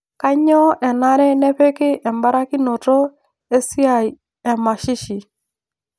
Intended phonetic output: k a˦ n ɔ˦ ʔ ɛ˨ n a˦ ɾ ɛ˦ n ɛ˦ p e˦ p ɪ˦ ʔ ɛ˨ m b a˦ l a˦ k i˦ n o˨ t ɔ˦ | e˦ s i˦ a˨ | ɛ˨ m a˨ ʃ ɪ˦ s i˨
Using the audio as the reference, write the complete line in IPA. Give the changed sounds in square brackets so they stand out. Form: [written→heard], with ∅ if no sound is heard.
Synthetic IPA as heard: k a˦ [n→ɲ] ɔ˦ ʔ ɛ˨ n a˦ ɾ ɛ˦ n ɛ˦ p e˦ [p→k] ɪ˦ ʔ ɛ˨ m b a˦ [l→ɾ] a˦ k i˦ n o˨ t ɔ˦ | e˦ s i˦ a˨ | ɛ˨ m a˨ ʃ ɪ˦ [s→ʃ] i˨